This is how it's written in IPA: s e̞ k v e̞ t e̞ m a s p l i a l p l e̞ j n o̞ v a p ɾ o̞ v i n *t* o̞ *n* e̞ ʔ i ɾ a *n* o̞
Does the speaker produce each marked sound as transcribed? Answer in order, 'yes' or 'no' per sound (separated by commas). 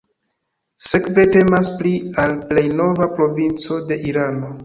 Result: no, no, yes